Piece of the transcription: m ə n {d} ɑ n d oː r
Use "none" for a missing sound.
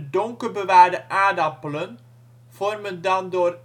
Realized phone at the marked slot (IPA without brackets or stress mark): d